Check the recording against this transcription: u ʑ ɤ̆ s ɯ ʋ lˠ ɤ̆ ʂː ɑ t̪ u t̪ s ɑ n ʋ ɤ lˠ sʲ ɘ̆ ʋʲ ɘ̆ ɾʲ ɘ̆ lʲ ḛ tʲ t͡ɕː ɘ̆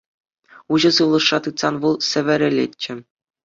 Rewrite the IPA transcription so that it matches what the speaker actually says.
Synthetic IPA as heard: u ʑ ɤ̆ s ɯ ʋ lˠ ɤ̆ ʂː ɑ t̪ ɯ t̪ s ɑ n ʋ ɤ lˠ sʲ ɘ̆ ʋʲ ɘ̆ ɾʲ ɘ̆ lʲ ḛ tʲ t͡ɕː ɘ̆